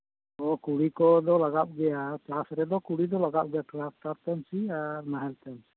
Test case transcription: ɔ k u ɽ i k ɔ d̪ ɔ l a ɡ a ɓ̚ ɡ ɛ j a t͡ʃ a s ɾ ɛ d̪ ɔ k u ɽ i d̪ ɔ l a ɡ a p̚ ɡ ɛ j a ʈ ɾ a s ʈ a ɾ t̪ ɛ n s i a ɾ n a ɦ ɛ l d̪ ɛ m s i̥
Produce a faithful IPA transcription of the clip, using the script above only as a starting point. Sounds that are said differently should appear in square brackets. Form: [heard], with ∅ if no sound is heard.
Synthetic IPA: ɔ k u ɽ i k ɔ d̪ ɔ l a ɡ a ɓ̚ ɡ ɛ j a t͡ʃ a s ɾ ɛ d̪ ɔ k u ɽ i d̪ ɔ l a ɡ a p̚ ɡ ɛ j a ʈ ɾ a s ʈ a ɾ t̪ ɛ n s i a ɾ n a ɦ ɛ l [t̪] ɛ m s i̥